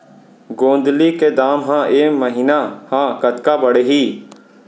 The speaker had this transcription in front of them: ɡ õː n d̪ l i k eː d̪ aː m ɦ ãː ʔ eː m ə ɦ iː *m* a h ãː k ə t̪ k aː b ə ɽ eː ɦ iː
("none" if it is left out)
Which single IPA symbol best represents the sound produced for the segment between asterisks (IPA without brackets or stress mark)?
n